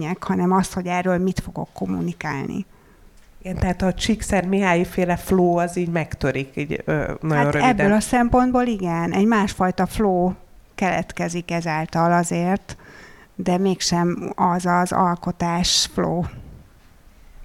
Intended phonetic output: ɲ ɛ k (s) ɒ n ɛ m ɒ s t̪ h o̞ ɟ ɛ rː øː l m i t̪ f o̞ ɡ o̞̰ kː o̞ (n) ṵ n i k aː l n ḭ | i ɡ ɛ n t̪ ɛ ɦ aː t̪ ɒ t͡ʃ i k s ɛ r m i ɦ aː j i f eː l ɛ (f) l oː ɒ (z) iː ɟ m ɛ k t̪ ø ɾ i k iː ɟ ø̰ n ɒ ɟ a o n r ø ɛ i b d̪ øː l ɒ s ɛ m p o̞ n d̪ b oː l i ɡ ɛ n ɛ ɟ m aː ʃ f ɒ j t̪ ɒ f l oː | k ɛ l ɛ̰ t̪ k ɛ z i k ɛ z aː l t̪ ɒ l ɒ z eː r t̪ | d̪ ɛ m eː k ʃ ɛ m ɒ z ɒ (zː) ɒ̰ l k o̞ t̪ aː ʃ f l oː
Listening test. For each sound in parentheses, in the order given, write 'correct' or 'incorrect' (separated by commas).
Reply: incorrect, incorrect, correct, correct, incorrect